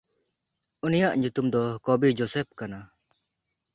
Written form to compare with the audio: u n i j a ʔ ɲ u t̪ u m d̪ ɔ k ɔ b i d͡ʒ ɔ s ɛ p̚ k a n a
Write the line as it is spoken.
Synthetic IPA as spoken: u n i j a ʔ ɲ u t̪ u m d̪ ɔ k ɔ b i d͡ʒ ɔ s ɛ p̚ k a n a